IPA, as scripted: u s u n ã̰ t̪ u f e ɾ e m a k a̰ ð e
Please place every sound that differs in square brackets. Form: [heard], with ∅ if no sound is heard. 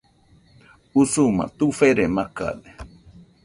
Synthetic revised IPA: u s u [m] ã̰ t̪ u f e ɾ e m a k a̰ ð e